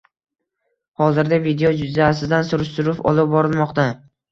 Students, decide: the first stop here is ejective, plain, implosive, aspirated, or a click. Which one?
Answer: plain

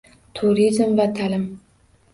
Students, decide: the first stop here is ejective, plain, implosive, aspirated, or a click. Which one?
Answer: aspirated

